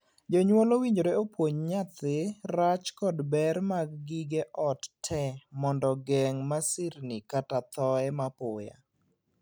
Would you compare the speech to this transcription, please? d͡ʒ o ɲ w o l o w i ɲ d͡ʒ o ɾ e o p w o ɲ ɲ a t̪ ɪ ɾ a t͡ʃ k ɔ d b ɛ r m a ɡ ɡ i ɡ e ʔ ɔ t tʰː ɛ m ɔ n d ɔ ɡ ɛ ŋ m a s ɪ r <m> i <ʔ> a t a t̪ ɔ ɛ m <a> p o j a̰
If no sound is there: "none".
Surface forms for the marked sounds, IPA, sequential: n, k, a

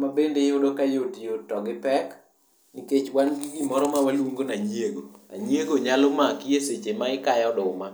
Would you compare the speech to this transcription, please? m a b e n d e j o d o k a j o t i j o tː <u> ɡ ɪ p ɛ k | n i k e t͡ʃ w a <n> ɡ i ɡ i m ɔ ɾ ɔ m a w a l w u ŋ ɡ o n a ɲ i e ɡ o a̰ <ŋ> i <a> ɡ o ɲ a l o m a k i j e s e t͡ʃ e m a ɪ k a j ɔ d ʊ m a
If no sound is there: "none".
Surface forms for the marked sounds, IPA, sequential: ɔ, n, ɲ, e

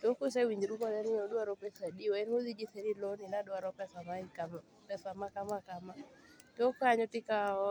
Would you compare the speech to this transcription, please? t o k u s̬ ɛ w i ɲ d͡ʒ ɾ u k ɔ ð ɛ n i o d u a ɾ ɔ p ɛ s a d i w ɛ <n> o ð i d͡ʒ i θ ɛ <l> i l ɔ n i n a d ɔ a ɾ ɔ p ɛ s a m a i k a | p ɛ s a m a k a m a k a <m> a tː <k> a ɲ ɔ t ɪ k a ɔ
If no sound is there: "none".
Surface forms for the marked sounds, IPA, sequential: n, ɾ, m, k

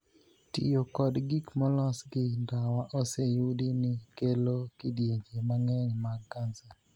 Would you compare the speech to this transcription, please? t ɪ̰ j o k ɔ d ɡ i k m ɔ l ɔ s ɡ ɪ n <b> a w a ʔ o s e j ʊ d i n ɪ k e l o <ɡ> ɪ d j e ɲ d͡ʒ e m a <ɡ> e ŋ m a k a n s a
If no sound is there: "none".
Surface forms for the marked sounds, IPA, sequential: d, k, ŋ

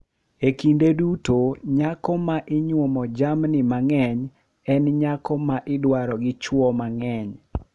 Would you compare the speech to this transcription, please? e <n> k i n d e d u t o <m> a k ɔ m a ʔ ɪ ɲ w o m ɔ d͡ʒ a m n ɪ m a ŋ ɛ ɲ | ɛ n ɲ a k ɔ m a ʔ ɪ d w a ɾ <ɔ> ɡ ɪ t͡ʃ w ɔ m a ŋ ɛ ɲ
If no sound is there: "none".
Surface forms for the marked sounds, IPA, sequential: none, ɲ, ɔ

